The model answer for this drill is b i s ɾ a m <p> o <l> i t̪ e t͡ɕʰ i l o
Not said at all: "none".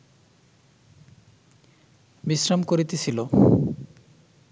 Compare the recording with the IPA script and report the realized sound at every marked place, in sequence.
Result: k, ɾ

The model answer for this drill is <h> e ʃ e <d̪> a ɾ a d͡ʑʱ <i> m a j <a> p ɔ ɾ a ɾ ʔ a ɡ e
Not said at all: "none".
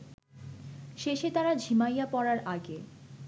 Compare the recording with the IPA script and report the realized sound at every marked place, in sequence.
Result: ʃ, t̪, i, a

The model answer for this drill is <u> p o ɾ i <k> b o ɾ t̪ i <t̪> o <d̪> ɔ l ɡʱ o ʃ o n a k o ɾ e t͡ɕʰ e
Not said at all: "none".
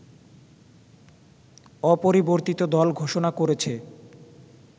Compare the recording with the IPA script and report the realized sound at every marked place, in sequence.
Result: ɔ, none, t̪, d̪

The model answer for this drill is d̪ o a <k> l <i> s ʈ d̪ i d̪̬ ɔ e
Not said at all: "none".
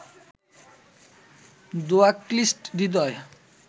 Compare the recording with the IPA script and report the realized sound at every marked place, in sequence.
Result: k, i

